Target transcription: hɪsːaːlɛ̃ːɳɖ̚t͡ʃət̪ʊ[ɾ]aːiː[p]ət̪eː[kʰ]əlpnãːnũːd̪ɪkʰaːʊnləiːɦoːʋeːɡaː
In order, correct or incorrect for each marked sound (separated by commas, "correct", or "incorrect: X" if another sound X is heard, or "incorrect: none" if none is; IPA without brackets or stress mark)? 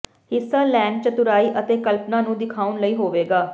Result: correct, incorrect: ʔ, incorrect: k